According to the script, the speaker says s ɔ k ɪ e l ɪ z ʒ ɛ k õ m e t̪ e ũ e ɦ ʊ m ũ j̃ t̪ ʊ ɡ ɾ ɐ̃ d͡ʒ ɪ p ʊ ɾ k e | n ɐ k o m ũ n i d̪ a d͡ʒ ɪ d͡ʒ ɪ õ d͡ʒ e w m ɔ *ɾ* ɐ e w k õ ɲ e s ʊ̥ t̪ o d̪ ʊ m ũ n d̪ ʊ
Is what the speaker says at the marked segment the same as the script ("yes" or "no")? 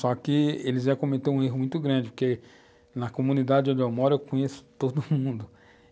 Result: yes